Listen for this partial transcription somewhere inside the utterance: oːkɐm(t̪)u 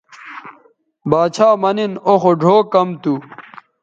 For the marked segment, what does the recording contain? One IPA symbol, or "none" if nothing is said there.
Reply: t̪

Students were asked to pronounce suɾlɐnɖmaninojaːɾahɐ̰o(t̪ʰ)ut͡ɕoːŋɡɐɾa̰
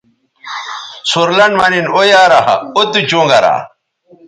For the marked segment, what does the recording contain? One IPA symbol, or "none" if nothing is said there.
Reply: t̪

